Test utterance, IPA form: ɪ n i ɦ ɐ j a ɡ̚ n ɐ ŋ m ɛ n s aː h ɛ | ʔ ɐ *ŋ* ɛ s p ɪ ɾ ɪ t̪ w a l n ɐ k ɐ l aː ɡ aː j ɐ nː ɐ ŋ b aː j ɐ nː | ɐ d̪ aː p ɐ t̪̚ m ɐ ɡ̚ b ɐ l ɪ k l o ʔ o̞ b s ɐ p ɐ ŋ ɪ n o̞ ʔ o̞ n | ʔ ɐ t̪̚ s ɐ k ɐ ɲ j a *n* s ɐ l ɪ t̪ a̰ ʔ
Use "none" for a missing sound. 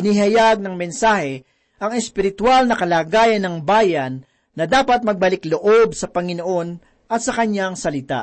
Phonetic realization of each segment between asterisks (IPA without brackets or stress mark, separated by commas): ŋ, ŋ